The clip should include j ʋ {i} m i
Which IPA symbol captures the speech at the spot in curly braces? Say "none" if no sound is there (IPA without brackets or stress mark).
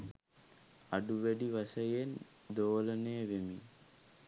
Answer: e